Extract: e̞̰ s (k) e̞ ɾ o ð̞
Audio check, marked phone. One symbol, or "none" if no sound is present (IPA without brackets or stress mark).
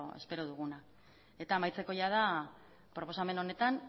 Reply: p